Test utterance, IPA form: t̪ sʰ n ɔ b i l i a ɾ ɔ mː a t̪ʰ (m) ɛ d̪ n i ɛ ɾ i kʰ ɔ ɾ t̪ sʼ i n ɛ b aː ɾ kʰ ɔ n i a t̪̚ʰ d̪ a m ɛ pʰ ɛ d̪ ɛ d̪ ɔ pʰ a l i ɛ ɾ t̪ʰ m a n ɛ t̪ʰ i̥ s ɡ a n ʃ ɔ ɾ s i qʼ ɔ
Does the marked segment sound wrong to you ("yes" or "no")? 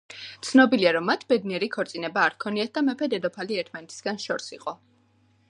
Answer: yes